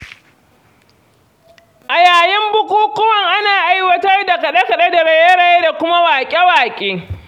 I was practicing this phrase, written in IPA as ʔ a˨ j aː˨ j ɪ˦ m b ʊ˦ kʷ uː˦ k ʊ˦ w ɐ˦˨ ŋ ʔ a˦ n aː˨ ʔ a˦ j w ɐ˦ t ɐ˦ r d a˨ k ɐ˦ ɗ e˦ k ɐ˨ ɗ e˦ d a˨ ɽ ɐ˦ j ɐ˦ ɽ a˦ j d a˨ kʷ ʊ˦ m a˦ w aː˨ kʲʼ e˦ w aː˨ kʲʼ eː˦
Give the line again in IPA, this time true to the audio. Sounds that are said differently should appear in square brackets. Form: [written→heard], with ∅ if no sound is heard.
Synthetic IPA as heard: ʔ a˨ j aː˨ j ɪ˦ m b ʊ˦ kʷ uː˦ k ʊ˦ w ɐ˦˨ ŋ ʔ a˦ n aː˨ ʔ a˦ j w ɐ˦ t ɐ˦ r d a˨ k [ɐ˦→ɐ˨] ɗ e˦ k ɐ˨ ɗ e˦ d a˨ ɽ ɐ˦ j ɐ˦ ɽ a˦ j d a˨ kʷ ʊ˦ m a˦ w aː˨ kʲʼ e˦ w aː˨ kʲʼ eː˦